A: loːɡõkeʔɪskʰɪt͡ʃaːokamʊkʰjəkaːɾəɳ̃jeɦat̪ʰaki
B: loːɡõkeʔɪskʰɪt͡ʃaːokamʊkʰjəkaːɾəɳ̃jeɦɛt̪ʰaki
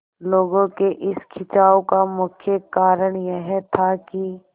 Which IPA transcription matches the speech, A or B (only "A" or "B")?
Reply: B